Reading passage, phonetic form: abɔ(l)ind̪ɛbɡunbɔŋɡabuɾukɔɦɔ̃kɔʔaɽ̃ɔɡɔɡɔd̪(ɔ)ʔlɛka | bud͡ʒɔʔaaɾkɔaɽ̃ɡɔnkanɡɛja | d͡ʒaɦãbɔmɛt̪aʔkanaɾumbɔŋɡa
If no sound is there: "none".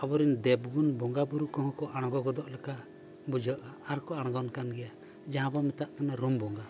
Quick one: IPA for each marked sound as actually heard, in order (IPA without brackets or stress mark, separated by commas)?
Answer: ɾ, ɔ